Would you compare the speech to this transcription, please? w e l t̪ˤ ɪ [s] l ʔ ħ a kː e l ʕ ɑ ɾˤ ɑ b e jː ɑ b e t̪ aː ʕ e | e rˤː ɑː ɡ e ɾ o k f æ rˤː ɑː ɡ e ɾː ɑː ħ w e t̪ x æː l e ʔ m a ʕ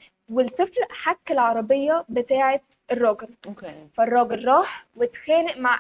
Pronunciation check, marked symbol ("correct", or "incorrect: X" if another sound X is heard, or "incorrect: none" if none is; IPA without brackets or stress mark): incorrect: f